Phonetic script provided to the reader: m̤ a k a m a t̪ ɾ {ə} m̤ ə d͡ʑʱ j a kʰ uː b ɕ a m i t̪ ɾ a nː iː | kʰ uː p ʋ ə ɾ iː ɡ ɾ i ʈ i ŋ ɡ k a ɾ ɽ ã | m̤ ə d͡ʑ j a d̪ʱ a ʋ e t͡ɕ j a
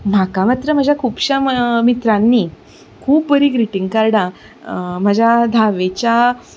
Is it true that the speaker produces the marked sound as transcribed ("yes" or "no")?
yes